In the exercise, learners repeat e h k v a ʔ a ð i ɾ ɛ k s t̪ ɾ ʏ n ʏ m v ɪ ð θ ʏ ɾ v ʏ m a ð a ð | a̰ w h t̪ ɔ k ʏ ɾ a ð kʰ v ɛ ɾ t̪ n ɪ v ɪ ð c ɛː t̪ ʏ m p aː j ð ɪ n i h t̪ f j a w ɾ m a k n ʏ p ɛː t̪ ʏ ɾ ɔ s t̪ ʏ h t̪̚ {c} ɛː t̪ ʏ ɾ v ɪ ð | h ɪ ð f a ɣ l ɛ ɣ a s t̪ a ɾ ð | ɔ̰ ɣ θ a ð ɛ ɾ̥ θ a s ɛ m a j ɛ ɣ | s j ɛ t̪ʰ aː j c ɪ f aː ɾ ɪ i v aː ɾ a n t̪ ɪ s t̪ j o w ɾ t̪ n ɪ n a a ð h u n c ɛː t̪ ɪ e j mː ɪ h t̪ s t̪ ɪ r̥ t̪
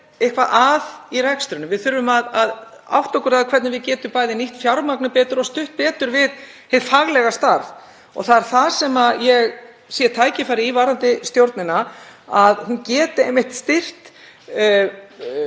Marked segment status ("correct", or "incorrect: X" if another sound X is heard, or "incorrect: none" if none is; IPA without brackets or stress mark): incorrect: p